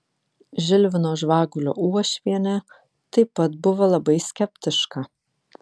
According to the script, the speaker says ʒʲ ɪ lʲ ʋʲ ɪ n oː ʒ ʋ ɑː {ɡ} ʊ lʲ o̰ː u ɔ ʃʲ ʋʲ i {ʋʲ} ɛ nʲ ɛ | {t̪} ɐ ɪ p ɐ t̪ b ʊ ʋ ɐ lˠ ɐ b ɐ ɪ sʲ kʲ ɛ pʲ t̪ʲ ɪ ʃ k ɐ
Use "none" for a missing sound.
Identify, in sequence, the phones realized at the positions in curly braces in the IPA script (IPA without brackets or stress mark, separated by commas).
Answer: ɡ, none, t̪